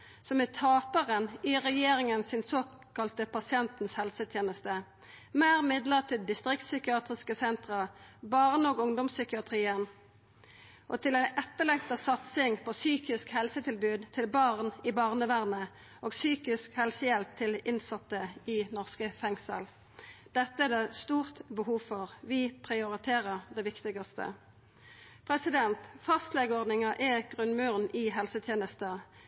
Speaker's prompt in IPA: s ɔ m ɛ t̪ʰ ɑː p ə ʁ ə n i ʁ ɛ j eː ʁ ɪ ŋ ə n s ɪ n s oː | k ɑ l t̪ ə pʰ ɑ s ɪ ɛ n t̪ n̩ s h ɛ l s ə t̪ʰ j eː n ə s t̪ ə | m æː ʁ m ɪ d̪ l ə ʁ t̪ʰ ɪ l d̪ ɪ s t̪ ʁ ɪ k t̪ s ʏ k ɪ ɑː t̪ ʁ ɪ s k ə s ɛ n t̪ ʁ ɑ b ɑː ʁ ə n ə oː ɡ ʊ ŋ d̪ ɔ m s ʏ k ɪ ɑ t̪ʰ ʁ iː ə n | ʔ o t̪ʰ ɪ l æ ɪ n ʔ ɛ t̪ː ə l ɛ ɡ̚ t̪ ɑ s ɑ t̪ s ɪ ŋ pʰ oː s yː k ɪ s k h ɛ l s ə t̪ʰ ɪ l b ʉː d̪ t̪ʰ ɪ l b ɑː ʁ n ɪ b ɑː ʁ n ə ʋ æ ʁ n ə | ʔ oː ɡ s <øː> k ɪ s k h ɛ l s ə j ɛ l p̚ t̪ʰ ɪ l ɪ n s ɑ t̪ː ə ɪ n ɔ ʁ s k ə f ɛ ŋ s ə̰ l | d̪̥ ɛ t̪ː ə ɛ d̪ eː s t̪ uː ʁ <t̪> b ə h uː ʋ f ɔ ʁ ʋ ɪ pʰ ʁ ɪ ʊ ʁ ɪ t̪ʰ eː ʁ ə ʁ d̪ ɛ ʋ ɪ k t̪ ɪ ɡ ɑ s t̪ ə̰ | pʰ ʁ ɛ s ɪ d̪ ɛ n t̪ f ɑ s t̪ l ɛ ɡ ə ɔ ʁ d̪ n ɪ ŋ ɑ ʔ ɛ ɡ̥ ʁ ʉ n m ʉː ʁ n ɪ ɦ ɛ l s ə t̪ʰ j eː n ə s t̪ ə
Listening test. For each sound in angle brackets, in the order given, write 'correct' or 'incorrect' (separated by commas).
incorrect, correct